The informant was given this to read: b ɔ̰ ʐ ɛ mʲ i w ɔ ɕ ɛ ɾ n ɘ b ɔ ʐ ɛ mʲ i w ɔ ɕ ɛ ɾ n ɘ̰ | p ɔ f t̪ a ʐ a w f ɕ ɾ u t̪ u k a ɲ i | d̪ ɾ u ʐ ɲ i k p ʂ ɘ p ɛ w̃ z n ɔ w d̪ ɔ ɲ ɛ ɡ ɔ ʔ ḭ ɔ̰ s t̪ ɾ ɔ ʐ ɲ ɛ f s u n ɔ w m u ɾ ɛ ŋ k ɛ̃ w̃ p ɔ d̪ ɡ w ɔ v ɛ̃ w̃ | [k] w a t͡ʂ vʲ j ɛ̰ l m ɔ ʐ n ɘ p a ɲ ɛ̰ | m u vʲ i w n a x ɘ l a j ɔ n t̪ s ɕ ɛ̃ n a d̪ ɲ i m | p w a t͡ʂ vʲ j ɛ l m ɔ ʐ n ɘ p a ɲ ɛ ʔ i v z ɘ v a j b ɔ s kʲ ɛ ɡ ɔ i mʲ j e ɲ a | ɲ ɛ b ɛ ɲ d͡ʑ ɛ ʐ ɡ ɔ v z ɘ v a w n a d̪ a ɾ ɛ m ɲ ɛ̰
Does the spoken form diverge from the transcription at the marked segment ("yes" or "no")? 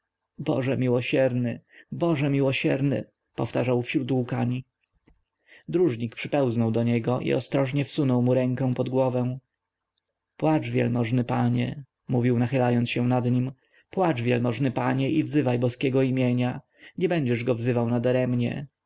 yes